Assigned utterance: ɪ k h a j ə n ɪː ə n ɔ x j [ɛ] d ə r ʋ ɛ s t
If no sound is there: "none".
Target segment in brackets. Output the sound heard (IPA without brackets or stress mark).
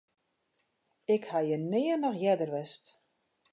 ɛ